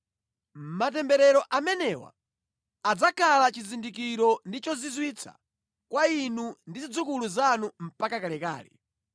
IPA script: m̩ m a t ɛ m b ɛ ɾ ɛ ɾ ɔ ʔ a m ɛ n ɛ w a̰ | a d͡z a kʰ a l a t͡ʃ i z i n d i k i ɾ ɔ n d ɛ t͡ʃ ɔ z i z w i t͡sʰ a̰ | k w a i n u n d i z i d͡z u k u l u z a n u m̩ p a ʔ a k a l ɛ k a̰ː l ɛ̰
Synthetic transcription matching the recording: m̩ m a t ɛ m b ɛ ɾ ɛ ɾ ɔ ʔ a m ɛ n ɛ w a̰ | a d͡z a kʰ a l a t͡ʃ i z i n d i k i ɾ ɔ n d i t͡ʃ ɔ z i z w i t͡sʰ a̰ | k w a i n u n d i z i d͡z u k u l u z a n u m̩ p a k a k a l ɛ k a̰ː l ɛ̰